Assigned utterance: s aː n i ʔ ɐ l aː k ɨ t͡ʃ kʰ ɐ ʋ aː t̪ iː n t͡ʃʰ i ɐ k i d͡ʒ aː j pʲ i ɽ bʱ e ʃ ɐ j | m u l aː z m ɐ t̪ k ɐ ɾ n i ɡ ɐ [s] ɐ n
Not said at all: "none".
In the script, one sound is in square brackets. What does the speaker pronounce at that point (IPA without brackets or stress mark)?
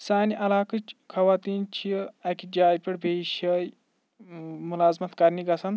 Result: s